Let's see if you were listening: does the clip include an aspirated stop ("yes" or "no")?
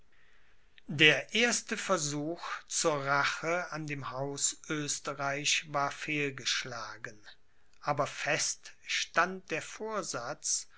no